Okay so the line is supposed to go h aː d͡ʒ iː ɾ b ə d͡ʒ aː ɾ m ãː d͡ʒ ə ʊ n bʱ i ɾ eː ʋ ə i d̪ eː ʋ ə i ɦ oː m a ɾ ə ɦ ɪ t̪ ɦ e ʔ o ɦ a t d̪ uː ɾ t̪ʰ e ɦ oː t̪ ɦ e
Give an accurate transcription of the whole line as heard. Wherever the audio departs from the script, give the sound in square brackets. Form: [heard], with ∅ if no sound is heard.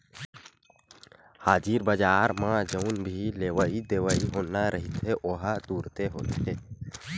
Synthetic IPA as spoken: h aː d͡ʒ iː ɾ b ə d͡ʒ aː ɾ m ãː d͡ʒ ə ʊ n bʱ i [l] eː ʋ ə i d̪ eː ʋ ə i ɦ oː [n] a ɾ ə ɦ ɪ t̪ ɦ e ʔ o ɦ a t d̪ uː ɾ [t̪] e ɦ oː t̪ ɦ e

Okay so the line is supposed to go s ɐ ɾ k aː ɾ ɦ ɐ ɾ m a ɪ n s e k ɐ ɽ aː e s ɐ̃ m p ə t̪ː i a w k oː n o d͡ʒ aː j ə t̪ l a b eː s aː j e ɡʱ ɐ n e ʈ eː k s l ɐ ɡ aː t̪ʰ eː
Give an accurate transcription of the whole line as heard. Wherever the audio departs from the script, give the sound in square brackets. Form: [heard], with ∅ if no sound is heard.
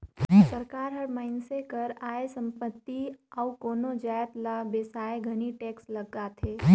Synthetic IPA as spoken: s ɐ ɾ k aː ɾ ɦ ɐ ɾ m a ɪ n s e k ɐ [ɾ] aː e s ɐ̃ m p ə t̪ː i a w k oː n o d͡ʒ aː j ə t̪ l a b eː s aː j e ɡʱ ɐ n [i] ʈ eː k s l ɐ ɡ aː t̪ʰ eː

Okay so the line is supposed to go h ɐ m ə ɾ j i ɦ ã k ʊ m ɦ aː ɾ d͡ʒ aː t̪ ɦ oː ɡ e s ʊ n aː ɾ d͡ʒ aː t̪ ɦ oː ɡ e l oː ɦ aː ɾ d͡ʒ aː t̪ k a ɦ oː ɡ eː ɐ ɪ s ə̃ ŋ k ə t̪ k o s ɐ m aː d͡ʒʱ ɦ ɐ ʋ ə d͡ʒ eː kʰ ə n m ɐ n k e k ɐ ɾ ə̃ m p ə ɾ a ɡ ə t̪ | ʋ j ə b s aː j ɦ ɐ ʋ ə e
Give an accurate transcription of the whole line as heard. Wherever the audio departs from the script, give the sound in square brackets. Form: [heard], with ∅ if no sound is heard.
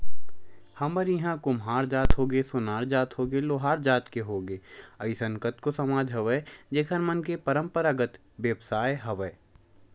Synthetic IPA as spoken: h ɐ m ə ɾ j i ɦ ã k ʊ m ɦ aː ɾ d͡ʒ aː t̪ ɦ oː ɡ e s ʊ n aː ɾ d͡ʒ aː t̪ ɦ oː ɡ e l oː ɦ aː ɾ d͡ʒ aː t̪ k [e] ɦ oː ɡ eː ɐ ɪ s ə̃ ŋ k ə t̪ k o s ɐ m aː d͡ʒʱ ɦ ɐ ʋ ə d͡ʒ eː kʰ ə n m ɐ n k e [p] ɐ ɾ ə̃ m p ə ɾ a ɡ ə t̪ | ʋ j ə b s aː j ɦ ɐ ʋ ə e

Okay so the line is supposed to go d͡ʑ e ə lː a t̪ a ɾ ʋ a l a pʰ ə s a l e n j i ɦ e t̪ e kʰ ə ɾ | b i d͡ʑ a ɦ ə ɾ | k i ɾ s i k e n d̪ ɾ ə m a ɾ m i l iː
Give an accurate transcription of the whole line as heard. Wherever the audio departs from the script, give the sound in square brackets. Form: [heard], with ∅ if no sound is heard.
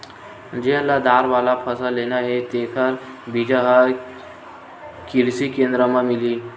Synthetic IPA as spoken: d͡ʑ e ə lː a [d̪] a ɾ ʋ a l a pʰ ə s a l e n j [a] ɦ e t̪ e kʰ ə ɾ | b i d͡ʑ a ɦ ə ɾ | k i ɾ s i k e n d̪ ɾ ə m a [∅] m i l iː

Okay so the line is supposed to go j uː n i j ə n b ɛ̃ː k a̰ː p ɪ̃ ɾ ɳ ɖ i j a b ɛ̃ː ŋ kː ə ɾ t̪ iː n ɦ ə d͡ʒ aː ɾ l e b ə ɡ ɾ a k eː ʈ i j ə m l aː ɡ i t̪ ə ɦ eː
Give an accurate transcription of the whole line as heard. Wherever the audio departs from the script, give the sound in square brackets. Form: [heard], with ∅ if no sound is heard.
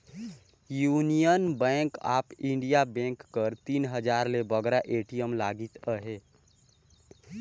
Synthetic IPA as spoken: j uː n i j ə n b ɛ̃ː k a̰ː p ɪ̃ [∅] ɳ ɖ i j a b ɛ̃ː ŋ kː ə ɾ t̪ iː n ɦ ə d͡ʒ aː ɾ l e b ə ɡ ɾ a [ʔ] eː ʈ i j ə m l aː ɡ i t̪ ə ɦ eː

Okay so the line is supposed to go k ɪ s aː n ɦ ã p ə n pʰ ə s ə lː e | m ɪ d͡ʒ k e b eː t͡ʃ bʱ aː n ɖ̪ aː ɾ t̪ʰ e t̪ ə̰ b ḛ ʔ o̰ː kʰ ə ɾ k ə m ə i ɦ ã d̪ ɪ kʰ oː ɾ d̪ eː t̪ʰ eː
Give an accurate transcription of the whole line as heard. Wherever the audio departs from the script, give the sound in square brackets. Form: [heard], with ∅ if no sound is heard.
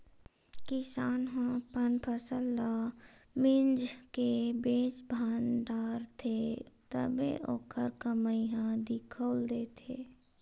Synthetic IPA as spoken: k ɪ s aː n ɦ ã p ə n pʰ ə s ə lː [a] | m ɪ d͡ʒ k e b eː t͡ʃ bʱ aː n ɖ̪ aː ɾ t̪ʰ e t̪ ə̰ b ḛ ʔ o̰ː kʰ ə ɾ k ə m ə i ɦ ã d̪ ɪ kʰ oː [l] d̪ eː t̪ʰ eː

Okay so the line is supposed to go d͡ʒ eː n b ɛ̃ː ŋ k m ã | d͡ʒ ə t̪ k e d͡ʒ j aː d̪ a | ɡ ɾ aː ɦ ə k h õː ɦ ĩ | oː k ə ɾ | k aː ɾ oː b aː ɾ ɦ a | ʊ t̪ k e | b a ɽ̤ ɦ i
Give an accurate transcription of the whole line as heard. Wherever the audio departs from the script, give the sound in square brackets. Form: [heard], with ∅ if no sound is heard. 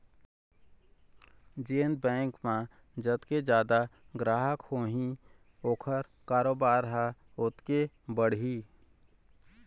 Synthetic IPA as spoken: d͡ʒ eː n b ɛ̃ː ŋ k m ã | d͡ʒ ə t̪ k e d͡ʒ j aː d̪ a | ɡ ɾ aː ɦ ə k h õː ɦ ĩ | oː [kʰ] ə ɾ | k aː ɾ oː b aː ɾ ɦ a | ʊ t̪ k e | b [ə] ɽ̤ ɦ i

